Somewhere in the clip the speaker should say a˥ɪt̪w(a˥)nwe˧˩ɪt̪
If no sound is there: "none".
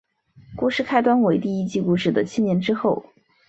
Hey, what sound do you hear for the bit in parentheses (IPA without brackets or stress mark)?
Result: a˥